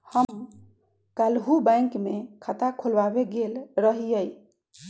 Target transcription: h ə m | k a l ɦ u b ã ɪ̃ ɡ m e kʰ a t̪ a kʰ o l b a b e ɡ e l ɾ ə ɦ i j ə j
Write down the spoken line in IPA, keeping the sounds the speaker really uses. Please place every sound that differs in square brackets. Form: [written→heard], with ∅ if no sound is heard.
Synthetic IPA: h ə m | k a l ɦ u b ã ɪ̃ [ɡ→k] m e kʰ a t̪ a kʰ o l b a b e ɡ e l ɾ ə ɦ i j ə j